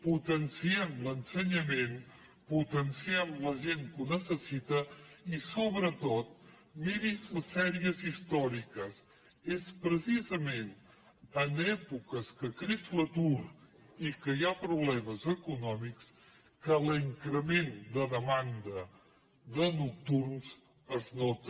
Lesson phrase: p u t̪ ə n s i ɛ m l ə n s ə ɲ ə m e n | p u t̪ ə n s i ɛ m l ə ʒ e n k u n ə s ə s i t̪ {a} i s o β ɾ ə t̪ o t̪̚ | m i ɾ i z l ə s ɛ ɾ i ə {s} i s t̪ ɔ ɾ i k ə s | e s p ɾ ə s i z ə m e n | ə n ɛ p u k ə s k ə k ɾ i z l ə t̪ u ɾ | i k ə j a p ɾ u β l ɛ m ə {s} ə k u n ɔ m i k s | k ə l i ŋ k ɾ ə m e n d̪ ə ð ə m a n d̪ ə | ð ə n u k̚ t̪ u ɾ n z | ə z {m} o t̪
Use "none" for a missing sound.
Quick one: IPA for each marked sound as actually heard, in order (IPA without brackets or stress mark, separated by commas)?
ə, z, z, n